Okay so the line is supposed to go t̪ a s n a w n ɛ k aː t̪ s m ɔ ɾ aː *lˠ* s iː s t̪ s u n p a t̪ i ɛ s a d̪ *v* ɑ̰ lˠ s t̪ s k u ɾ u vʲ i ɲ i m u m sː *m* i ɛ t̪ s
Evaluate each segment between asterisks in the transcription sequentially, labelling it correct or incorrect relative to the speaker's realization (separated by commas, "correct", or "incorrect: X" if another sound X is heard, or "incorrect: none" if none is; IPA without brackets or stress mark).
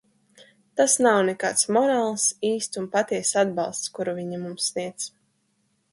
correct, incorrect: b, incorrect: n